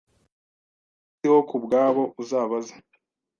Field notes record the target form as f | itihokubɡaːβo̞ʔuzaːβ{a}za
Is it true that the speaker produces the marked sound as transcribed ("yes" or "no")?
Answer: yes